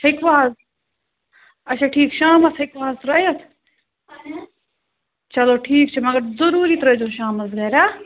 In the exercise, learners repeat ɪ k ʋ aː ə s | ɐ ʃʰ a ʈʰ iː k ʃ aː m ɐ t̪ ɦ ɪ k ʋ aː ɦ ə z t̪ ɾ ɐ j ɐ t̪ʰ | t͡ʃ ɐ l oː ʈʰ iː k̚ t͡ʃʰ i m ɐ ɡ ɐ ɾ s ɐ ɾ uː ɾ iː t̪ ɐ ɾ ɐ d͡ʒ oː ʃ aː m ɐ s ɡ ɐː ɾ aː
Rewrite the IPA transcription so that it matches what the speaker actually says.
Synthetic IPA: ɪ k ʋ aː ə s | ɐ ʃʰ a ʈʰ iː k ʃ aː m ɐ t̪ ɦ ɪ k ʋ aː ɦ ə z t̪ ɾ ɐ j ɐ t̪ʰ | t͡ʃ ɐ l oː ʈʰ iː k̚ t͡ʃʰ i m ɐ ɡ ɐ ɾ z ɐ ɾ uː ɾ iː t̪ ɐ ɾ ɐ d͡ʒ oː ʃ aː m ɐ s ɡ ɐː ɾ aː